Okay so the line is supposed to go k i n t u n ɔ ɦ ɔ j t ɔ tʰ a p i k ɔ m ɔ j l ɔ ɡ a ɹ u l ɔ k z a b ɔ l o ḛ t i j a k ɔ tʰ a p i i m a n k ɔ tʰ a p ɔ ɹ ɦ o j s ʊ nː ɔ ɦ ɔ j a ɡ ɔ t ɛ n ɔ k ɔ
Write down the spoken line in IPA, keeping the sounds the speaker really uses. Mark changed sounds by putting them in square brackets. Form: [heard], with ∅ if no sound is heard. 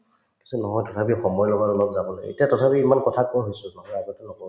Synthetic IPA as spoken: k i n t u n ɔ ɦ ɔ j t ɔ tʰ a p i [x] ɔ m ɔ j l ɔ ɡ a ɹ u l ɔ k z a b ɔ l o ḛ t i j a [t] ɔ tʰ a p i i m a n k ɔ tʰ a [k] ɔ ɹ ɦ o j s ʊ [n] ɔ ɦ ɔ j a ɡ ɔ t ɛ n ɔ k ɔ